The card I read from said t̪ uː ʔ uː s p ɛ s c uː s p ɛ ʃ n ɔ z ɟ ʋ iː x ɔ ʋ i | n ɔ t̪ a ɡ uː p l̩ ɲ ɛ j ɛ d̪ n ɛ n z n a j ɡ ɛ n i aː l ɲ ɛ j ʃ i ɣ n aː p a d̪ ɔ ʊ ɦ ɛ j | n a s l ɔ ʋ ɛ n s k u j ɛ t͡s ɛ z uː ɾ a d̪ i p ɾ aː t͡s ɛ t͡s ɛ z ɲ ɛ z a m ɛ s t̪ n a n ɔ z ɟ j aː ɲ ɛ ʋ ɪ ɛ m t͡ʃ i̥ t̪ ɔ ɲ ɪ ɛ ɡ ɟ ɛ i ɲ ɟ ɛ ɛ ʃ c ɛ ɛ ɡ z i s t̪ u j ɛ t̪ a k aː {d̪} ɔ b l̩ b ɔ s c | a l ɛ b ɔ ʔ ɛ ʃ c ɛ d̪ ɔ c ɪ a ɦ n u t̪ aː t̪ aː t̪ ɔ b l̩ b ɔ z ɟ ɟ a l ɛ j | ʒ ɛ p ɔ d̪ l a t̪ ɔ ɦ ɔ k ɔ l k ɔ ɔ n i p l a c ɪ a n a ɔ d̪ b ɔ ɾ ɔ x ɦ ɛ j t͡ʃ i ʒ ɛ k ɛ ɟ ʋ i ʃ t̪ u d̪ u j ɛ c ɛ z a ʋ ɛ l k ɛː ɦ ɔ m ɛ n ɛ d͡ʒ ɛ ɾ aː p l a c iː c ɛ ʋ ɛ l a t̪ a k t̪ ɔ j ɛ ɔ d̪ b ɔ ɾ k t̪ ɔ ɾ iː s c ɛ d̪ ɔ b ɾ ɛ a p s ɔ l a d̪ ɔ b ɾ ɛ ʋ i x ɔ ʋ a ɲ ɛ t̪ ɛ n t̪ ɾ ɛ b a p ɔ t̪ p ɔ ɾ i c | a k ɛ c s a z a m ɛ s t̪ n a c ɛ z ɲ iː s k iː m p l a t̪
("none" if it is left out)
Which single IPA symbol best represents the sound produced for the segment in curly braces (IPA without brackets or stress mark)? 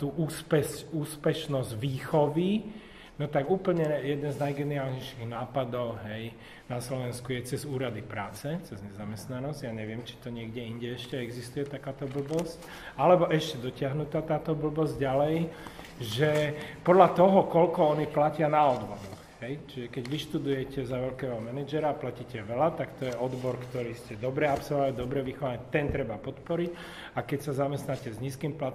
t̪